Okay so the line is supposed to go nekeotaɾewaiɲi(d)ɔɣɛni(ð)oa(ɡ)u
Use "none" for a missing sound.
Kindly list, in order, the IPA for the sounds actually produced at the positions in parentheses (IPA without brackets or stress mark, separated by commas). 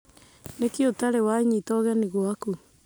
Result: t, ɣ, k